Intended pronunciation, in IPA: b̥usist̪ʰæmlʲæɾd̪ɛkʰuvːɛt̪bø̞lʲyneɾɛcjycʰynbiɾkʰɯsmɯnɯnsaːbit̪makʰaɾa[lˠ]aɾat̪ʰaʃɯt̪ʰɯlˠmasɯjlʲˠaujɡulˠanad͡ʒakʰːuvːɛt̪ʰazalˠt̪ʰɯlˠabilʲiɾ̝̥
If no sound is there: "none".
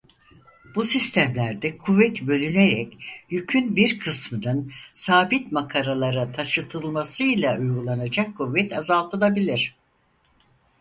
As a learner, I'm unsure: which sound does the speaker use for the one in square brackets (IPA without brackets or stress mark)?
lˠ